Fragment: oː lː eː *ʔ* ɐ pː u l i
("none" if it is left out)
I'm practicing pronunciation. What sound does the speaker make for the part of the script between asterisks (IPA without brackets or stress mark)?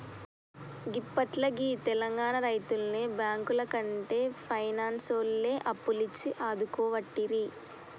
ʔ